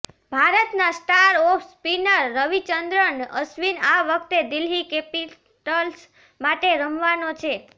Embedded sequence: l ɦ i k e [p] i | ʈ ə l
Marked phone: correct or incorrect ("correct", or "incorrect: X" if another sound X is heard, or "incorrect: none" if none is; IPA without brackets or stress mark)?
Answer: correct